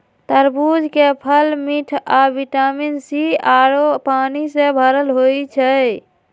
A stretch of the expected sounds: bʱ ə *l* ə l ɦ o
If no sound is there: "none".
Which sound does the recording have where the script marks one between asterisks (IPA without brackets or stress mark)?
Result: ɾ